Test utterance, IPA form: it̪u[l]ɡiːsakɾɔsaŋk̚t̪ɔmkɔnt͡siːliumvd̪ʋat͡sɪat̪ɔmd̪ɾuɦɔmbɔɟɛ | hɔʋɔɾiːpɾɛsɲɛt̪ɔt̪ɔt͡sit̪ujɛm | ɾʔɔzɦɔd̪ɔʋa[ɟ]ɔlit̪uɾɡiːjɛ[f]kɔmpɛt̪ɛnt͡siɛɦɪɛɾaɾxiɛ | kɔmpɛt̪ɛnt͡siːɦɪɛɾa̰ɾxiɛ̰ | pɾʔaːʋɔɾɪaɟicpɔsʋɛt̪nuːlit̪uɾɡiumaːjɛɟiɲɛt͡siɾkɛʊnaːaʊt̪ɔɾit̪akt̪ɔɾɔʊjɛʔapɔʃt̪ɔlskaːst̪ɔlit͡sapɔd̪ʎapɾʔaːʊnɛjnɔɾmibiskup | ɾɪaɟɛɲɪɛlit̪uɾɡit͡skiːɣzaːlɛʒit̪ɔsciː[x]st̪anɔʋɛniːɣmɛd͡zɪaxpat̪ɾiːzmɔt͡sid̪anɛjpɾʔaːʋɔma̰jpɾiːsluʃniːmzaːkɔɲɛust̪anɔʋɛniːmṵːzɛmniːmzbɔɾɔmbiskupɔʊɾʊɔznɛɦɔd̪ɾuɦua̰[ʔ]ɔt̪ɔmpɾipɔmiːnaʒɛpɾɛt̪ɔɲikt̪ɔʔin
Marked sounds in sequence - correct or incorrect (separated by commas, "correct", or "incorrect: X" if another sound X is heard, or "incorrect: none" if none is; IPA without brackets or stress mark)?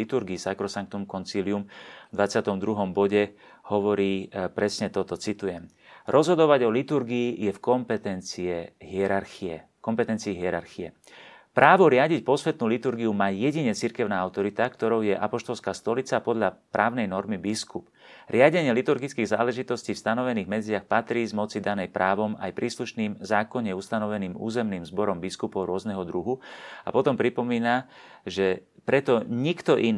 incorrect: ɾ, correct, correct, incorrect: f, incorrect: p